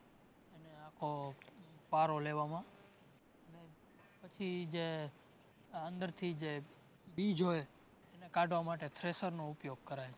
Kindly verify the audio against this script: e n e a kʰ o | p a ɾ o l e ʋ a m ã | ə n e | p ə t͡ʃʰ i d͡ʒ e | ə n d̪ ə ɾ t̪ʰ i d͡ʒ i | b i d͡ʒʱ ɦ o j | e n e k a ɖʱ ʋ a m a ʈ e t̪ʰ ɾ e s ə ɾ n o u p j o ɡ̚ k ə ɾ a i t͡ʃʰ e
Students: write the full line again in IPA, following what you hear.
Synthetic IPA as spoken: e n e a kʰ o | p a ɾ o l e ʋ a m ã | ə n e | p ə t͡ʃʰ i d͡ʒ e | ə n d̪ ə ɾ t̪ʰ i d͡ʒ e | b i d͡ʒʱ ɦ o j | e n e k a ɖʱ ʋ a m a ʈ e t̪ʰ ɾ e s ə ɾ n o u p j o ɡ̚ k ə ɾ a j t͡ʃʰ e